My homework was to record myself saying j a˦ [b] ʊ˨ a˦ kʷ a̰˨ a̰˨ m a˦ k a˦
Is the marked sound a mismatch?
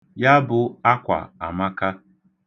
no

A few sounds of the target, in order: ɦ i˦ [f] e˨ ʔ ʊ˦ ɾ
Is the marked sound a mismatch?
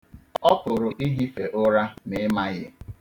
no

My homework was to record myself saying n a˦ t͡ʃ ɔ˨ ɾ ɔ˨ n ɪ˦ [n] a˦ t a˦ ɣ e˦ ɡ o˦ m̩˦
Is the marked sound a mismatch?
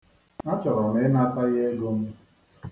no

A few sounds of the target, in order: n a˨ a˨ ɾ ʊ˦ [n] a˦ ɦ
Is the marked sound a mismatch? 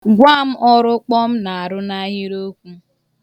no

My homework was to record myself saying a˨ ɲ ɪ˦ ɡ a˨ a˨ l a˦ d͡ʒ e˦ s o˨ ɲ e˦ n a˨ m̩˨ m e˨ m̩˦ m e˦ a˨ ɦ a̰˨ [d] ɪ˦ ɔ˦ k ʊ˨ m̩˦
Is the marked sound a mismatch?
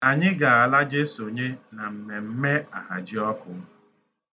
yes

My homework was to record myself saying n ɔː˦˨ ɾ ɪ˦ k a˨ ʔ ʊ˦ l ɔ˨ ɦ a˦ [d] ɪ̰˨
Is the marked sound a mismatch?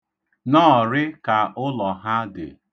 no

